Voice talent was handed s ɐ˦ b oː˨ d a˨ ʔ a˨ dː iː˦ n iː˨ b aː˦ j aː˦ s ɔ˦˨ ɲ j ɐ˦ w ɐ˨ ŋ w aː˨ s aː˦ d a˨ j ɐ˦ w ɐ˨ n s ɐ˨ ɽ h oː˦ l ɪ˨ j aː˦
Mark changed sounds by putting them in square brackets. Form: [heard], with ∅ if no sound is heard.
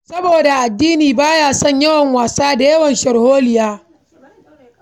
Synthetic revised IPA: s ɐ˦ b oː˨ d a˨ ʔ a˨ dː iː˦ n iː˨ b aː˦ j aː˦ s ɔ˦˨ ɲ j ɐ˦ w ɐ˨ ŋ w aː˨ s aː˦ d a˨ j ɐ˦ w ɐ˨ n [ʃ] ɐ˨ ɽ h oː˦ l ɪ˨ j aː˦